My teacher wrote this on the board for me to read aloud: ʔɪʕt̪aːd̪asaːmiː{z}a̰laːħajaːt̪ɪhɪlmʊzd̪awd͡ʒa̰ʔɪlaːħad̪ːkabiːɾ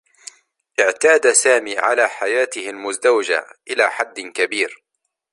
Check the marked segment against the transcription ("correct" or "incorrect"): incorrect